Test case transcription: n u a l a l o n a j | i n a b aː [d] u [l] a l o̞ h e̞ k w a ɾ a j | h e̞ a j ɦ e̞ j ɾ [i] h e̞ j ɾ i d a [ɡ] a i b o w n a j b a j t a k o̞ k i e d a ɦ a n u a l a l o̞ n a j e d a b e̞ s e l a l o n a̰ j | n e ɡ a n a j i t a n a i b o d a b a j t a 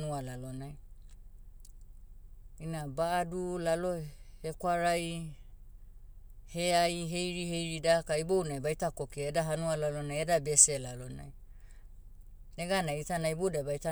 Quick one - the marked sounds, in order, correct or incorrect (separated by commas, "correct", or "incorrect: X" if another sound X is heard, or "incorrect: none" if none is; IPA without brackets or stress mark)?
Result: correct, correct, correct, incorrect: k